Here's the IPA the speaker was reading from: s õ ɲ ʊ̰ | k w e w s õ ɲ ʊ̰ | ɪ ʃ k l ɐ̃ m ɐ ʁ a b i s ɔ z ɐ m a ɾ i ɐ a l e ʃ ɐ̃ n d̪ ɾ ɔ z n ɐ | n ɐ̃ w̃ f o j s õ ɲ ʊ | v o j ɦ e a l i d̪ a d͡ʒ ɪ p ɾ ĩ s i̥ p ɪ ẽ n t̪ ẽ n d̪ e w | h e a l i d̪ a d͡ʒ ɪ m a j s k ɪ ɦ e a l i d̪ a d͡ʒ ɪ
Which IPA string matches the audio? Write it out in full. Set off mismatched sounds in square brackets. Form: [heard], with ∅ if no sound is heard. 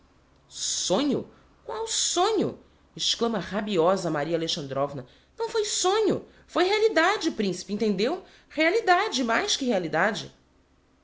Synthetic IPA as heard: s õ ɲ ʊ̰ | k w [a] w s õ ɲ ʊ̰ | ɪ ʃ k l ɐ̃ m ɐ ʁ a b i [∅] ɔ z ɐ m a ɾ i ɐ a l e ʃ ɐ̃ n d̪ ɾ ɔ [v] n ɐ | n ɐ̃ w̃ f o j s õ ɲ ʊ | [f] o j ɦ e a l i d̪ a d͡ʒ ɪ p ɾ ĩ s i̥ p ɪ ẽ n t̪ ẽ n d̪ e w | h e a l i d̪ a d͡ʒ ɪ m a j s k ɪ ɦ e a l i d̪ a d͡ʒ ɪ